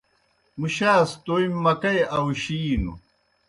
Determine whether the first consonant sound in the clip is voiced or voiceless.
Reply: voiced